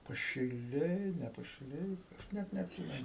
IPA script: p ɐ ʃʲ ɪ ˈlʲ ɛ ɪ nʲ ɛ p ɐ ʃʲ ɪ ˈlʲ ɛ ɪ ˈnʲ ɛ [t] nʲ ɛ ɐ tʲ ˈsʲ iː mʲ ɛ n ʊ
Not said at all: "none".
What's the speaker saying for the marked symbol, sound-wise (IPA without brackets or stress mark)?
t